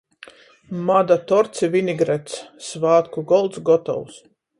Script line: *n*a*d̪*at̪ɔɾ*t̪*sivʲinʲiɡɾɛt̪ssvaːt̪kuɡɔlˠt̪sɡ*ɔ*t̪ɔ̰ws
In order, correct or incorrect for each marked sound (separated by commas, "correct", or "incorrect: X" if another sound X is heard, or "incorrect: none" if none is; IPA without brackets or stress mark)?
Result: incorrect: m, correct, correct, correct